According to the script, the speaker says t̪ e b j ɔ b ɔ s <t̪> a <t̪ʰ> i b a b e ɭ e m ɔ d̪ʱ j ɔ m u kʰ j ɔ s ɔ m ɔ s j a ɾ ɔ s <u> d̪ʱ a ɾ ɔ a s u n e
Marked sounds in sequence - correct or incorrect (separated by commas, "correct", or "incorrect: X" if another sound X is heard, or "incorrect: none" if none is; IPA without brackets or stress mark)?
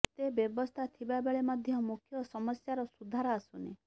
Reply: incorrect: t̪ʰ, correct, correct